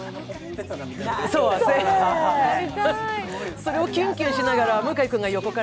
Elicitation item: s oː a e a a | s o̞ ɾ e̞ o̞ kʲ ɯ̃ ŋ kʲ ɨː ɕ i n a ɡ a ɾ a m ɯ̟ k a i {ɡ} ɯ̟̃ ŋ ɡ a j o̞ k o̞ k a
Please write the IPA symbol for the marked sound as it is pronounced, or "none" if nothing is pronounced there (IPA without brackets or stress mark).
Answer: k